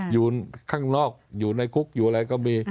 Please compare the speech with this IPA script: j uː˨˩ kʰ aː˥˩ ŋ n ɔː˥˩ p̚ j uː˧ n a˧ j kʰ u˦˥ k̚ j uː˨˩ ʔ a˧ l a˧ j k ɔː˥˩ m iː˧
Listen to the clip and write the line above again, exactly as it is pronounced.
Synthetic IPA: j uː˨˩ kʰ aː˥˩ ŋ n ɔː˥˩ k̚ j uː˨˩ n a˧ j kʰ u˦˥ k̚ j uː˨˩ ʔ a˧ ɾ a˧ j k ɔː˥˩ m iː˧